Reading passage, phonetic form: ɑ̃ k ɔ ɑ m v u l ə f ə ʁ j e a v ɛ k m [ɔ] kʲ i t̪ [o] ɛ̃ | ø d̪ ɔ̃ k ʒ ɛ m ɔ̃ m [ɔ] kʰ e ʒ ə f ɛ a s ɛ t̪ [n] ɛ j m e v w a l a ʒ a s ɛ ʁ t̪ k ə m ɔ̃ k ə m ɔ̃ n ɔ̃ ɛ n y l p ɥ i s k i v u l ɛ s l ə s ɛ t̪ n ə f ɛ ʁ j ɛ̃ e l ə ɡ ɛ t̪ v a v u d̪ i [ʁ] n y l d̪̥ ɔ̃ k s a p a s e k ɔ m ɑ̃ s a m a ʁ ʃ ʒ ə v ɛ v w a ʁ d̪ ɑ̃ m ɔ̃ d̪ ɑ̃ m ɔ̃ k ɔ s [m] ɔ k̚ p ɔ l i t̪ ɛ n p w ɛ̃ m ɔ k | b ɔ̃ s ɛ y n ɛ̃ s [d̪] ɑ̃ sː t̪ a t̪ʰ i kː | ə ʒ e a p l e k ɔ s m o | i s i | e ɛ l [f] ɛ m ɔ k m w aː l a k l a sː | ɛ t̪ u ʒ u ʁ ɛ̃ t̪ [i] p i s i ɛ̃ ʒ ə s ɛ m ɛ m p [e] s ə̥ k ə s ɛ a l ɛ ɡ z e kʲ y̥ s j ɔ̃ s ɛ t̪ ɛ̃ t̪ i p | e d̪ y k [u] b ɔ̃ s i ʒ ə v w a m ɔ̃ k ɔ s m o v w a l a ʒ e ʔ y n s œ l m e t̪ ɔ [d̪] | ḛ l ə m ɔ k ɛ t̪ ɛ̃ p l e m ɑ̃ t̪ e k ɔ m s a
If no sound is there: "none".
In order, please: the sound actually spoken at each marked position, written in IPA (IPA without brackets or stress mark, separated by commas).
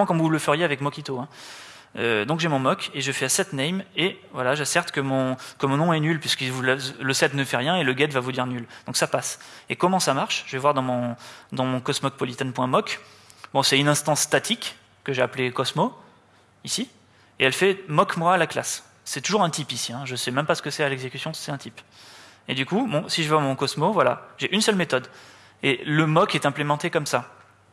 ɔ, o, ɔ, n, ʁ, m, t̪, f, i, a, u, d̪